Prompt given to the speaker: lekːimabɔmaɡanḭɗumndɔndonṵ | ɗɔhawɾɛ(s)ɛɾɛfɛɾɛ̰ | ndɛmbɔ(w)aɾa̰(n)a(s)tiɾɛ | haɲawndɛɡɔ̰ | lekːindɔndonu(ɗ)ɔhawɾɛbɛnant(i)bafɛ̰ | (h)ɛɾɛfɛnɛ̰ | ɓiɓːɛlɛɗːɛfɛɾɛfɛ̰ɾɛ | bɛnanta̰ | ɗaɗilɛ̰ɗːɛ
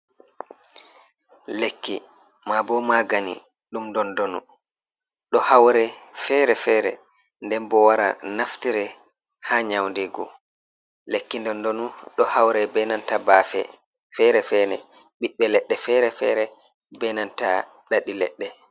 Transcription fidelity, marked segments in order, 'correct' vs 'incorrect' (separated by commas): incorrect, correct, correct, incorrect, correct, incorrect, incorrect